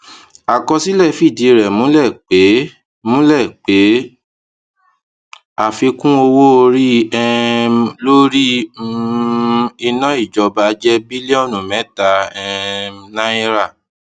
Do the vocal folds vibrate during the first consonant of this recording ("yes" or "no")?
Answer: no